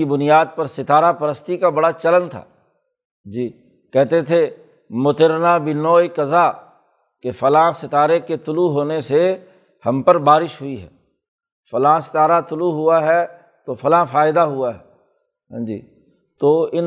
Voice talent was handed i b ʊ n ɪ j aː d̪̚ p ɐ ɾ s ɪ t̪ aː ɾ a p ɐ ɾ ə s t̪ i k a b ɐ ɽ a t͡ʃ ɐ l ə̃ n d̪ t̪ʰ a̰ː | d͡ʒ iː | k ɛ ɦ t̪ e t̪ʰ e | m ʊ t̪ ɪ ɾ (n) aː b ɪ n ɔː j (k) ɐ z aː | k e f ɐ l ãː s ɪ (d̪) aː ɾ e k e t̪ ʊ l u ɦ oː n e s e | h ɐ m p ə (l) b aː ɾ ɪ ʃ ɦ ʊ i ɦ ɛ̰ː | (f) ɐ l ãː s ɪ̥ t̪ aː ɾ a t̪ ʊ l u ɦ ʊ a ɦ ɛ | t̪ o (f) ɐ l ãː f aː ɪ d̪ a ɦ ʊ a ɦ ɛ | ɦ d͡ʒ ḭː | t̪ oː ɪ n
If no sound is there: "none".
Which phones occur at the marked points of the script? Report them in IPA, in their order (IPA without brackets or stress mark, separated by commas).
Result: n, k, t̪, ɾ, f, f